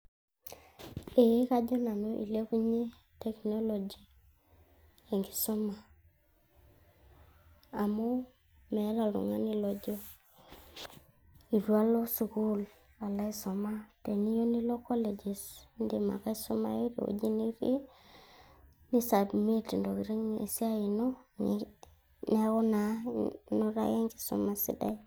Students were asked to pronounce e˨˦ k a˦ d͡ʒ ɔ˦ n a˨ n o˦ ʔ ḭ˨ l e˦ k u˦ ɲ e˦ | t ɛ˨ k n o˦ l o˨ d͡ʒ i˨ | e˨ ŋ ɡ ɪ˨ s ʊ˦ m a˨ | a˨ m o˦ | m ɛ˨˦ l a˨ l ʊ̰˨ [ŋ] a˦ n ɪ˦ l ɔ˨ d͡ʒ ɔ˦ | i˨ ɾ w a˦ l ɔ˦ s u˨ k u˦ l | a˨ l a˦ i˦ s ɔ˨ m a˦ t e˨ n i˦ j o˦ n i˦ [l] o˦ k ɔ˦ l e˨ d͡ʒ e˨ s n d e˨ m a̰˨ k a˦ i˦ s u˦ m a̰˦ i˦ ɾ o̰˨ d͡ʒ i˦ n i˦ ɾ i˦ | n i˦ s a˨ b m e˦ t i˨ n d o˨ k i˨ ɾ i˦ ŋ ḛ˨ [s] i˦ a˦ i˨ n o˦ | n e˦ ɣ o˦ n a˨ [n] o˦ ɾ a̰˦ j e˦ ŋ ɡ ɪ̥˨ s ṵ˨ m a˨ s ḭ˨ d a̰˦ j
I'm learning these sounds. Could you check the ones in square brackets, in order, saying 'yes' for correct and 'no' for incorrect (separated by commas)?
yes, yes, yes, yes